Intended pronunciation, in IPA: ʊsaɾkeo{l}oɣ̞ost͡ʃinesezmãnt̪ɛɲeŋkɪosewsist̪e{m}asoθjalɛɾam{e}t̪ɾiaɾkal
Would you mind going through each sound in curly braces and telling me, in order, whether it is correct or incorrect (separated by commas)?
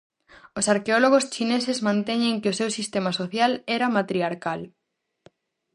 correct, correct, incorrect